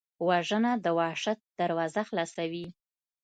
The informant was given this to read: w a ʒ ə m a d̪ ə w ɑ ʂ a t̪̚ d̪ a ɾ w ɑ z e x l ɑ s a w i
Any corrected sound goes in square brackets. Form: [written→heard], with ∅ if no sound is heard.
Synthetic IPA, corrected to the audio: w a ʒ ə [m→n] a d̪ ə w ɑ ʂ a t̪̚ d̪ a ɾ w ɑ z [e→a] x l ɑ s a w i